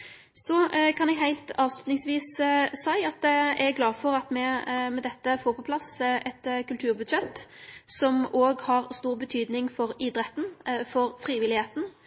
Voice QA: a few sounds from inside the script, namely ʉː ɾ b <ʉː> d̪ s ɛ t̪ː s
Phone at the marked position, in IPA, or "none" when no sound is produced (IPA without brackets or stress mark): ʉ